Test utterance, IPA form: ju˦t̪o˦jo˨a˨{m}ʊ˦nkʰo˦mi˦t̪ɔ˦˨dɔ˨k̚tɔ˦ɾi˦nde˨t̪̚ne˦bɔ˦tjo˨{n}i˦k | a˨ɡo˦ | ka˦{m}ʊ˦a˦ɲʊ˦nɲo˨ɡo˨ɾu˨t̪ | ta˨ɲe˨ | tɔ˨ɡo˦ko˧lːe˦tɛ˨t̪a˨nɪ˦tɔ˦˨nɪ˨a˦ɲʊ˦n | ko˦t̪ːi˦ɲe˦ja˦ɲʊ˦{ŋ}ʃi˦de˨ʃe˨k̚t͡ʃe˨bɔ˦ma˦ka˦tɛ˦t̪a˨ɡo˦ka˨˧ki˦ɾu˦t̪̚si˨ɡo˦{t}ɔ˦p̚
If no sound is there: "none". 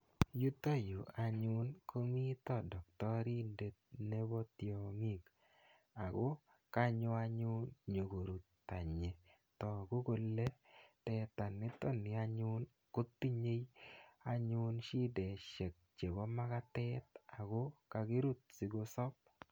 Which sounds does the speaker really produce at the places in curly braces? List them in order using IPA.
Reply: ɲ, ŋ, ɲ, n, s

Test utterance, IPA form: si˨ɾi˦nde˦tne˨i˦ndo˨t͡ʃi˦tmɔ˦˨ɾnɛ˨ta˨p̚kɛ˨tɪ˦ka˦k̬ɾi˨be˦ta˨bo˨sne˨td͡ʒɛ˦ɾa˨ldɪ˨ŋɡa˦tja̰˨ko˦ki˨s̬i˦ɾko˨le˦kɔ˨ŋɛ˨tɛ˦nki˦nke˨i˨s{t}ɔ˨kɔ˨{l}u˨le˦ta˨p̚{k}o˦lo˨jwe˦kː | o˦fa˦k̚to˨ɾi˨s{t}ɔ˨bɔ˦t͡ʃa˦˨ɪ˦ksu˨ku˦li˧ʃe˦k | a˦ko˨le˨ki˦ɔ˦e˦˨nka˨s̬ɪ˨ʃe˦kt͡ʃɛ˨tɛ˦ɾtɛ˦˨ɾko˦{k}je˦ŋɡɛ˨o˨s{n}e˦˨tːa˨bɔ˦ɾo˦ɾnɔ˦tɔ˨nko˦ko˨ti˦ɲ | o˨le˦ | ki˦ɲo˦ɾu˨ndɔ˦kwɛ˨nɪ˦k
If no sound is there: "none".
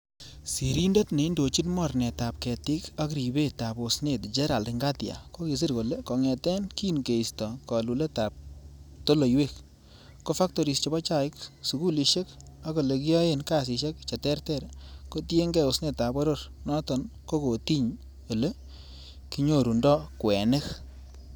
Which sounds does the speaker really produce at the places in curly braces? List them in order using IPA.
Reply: t, l, t, t͡ʃ, t, n

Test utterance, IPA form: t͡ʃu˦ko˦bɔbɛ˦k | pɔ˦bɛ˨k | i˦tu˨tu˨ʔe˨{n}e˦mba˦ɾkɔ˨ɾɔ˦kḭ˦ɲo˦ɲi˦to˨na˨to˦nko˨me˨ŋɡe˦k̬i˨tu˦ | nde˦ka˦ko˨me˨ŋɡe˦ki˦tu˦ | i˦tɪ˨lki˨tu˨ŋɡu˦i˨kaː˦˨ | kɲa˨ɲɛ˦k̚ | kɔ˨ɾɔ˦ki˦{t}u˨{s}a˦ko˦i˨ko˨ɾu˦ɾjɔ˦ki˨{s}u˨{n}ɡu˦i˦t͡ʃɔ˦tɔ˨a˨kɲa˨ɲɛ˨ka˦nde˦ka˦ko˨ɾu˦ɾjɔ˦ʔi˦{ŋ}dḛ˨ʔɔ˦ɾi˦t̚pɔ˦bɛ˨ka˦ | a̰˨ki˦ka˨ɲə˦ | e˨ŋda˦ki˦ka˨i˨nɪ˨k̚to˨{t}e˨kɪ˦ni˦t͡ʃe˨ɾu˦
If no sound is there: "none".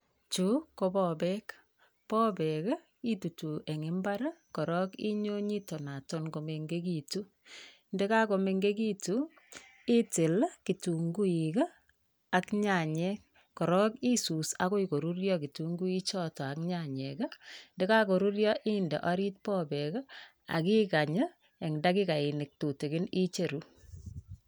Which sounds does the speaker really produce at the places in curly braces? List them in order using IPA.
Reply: ŋ, s, s, t, ŋ, n, t

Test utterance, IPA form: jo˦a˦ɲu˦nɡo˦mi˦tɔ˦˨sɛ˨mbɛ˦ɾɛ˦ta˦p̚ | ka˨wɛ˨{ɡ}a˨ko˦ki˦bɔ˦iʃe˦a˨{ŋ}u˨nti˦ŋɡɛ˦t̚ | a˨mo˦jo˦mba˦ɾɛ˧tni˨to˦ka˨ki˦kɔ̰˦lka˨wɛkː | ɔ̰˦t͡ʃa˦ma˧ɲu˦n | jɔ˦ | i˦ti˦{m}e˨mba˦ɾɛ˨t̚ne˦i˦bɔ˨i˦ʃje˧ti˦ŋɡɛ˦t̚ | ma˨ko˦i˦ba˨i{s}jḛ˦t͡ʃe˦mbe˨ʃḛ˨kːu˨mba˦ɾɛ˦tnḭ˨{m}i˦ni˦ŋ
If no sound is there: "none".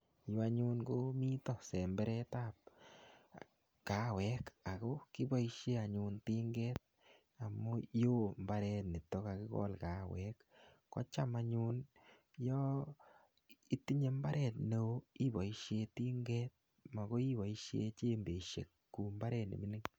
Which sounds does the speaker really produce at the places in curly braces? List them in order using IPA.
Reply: k, ɲ, ɲ, ʃ, m

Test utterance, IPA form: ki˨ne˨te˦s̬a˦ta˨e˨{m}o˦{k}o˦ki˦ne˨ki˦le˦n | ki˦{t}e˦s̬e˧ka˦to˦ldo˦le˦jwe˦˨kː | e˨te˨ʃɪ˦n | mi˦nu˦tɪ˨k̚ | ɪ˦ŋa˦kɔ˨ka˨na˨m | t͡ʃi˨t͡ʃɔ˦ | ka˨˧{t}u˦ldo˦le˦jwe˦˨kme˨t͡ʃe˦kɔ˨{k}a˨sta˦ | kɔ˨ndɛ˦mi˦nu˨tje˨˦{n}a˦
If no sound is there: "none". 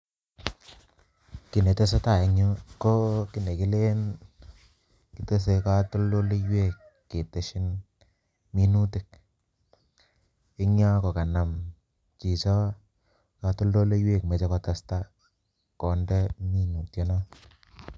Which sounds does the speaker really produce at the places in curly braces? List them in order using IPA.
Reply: ɲ, k, t, t, t, n

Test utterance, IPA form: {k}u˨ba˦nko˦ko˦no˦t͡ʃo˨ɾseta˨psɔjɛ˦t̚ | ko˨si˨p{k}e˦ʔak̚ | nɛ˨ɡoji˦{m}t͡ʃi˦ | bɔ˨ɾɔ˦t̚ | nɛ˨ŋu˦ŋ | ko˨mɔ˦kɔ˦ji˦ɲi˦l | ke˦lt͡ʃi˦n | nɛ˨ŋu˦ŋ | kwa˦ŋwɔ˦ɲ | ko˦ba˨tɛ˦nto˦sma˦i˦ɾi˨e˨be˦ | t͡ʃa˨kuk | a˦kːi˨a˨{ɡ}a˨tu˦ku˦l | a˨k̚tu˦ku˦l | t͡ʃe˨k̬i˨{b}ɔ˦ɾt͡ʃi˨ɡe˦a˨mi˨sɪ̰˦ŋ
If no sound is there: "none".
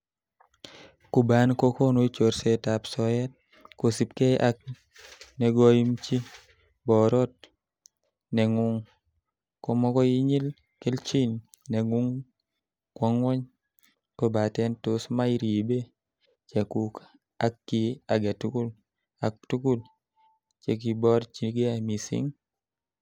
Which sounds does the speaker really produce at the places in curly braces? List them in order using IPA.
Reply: k, k, m, ɡ, b

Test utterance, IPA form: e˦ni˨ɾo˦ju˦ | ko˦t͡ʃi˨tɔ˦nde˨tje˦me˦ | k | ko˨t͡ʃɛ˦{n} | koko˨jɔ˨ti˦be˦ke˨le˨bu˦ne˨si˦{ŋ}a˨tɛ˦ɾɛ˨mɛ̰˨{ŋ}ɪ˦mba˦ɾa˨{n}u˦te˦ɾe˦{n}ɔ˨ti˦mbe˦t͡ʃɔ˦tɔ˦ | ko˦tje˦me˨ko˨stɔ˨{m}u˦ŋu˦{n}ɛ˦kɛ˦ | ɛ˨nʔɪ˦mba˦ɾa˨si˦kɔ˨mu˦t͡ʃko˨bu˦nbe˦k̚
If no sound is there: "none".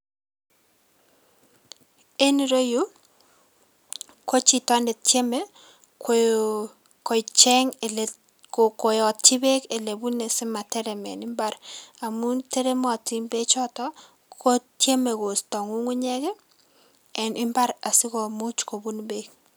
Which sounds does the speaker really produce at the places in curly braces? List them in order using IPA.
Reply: ŋ, m, n, m, m, ŋ, ɲ

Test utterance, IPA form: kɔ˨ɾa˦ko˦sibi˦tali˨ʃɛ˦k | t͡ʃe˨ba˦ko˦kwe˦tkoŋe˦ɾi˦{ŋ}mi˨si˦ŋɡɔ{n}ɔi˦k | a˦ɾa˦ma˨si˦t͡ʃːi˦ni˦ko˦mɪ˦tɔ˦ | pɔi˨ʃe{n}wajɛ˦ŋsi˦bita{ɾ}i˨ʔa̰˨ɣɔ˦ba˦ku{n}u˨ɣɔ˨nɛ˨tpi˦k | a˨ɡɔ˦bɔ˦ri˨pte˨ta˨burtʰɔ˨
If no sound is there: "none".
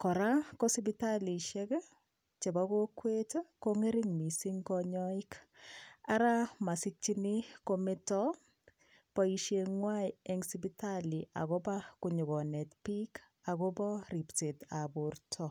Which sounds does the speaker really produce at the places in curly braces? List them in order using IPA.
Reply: ŋ, ɲ, ŋ, l, ɲ

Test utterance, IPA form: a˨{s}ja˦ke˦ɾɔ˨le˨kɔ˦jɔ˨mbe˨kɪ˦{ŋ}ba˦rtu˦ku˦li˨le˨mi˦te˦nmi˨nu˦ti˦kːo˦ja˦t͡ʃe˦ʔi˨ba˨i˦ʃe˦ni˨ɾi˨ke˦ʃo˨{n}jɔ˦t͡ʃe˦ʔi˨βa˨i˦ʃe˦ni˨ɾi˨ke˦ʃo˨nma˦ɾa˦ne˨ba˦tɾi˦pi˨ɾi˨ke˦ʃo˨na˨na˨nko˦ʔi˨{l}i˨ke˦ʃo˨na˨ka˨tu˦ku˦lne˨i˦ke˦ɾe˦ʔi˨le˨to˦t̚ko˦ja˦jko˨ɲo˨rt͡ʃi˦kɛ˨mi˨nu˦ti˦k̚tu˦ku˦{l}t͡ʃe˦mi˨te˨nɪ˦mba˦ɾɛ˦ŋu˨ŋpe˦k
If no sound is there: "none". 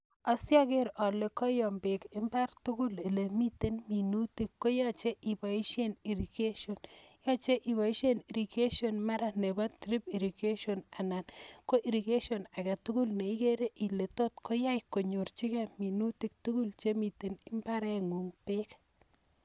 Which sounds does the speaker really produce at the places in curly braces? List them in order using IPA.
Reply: s, m, n, ɾ, l

